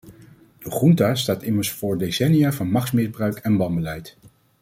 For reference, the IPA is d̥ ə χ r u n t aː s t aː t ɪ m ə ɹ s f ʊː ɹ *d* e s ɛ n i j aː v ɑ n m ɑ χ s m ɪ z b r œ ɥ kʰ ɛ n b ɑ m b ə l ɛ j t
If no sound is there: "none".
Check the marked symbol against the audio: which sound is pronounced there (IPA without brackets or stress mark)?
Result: d